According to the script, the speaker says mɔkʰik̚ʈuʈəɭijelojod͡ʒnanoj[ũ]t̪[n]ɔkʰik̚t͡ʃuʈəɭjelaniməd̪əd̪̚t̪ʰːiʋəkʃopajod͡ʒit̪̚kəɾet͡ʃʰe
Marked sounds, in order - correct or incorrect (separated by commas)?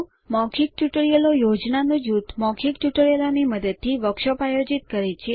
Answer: incorrect, incorrect